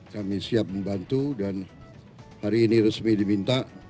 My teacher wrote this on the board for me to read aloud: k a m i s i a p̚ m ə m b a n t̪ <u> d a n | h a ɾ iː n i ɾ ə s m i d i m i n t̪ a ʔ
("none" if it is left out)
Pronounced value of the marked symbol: u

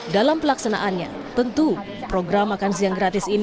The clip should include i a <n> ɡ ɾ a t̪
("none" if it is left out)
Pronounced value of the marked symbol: ŋ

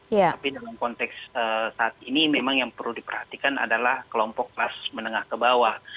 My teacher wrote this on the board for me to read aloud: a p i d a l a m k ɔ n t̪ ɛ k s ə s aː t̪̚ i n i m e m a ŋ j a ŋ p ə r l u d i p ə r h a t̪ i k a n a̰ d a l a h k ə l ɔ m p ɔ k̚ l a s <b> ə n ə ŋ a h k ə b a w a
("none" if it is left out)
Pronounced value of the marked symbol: m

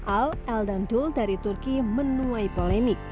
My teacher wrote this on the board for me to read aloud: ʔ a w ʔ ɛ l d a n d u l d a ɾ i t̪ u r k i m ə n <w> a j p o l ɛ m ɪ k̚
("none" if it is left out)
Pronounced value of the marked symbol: u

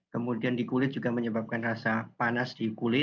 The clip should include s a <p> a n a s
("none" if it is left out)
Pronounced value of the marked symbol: p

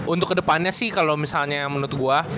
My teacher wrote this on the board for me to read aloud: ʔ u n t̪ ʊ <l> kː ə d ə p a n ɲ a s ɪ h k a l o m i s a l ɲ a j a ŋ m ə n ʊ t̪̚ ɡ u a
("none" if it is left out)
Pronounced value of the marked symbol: none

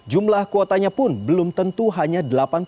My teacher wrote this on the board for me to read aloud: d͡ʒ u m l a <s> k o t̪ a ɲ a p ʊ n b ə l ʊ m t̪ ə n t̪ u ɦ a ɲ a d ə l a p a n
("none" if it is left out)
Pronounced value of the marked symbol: h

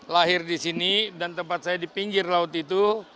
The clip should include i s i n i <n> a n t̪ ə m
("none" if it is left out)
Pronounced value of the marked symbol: d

